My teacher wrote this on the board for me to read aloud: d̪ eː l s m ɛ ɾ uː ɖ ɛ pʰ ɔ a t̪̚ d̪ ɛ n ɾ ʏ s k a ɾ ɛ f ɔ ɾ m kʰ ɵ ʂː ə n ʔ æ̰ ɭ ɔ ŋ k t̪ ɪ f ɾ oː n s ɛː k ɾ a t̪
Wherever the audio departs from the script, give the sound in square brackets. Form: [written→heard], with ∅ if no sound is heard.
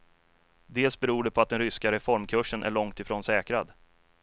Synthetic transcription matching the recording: d̪ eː l s [m→b] ɛ ɾ uː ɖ ɛ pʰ ɔ a t̪̚ d̪ ɛ n ɾ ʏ s k a ɾ ɛ f ɔ ɾ m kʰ ɵ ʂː ə n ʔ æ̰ ɭ ɔ ŋ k t̪ ɪ f ɾ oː n s ɛː k ɾ a [t̪→d̪]